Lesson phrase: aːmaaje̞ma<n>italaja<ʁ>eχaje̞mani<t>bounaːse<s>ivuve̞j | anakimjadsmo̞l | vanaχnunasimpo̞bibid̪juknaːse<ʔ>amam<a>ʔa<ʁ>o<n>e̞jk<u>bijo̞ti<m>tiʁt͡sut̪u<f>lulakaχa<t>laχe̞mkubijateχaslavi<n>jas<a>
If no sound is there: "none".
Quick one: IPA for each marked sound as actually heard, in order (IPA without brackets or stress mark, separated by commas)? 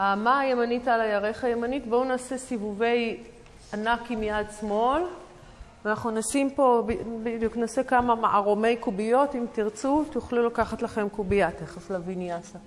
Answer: n, ʁ, t, s, k, a, ʁ, m, u, m, χ, t, n, a